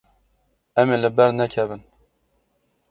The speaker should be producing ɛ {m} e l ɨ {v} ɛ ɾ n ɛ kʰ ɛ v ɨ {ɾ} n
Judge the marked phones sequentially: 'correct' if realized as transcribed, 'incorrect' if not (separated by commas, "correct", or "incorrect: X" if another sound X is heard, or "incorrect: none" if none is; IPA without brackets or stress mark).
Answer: correct, incorrect: b, incorrect: none